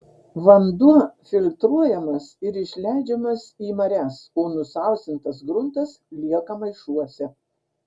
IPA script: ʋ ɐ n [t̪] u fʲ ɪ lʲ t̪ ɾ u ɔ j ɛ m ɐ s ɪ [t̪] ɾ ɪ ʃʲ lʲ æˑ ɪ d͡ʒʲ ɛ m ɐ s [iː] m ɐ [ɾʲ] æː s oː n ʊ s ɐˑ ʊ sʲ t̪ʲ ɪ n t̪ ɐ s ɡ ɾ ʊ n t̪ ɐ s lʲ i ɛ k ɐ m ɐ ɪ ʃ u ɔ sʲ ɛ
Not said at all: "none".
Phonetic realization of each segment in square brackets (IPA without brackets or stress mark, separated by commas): d̪, none, iː, ɾʲ